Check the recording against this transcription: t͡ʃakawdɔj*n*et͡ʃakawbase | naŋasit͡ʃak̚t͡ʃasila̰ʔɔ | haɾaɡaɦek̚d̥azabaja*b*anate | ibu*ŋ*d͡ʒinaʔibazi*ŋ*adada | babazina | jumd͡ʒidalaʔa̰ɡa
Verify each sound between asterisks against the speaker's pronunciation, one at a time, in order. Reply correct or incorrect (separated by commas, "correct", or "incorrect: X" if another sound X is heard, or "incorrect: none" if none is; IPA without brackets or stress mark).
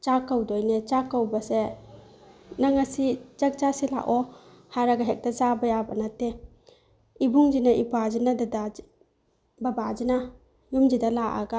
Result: correct, correct, correct, incorrect: n